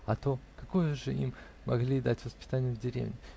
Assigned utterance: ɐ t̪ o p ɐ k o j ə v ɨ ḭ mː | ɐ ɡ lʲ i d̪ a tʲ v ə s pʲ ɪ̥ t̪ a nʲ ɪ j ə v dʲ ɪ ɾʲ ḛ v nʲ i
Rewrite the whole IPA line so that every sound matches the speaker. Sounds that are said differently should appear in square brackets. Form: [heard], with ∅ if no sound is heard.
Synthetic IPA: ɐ t̪ o [k] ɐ k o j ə [ʐ] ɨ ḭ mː | ɐ ɡ lʲ i d̪ a tʲ v ə s pʲ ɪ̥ t̪ a nʲ ɪ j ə v dʲ ɪ ɾʲ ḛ v nʲ [ɪ]